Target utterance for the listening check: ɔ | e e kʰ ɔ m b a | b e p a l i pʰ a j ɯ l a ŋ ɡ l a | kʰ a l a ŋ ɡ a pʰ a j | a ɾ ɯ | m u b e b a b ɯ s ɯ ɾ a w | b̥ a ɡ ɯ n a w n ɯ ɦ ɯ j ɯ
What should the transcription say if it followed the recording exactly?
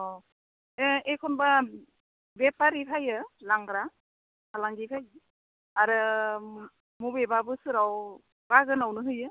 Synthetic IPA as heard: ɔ | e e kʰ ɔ n b a | b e p a ɾ i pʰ a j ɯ l a ŋ ɡ ɾ a | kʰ a l a ŋ ɡ i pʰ a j | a ɾ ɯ | m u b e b a b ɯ s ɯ ɾ a w | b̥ a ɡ ɯ n a w n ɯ ɦ ɯ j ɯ